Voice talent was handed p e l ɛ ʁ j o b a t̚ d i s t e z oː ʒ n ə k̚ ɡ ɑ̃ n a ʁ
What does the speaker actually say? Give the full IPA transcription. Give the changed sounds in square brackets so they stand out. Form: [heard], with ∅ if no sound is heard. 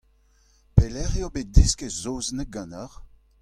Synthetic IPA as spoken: p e l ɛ ʁ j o b [e] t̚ d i s [k] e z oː [z] n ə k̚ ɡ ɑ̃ n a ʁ